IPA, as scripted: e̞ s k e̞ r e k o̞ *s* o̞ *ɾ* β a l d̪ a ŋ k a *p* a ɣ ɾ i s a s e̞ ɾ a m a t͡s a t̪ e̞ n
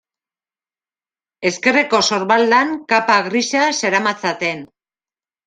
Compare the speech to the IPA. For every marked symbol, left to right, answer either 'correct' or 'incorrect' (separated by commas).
correct, correct, correct